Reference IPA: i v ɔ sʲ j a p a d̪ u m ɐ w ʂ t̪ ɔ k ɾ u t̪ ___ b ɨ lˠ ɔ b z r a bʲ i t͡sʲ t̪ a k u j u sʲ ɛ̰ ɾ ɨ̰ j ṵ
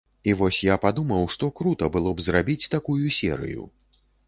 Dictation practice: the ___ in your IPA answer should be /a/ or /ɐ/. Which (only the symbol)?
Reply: ɐ